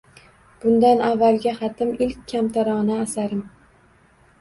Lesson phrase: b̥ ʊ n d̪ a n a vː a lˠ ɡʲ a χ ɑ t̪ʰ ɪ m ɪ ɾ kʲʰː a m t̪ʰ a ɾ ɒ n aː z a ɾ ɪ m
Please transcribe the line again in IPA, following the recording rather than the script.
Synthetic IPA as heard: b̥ ʊ n d̪ a n a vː a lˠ ɡʲ a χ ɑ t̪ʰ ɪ m ɪ l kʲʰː a m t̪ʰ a ɾ ɒ n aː s a ɾ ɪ m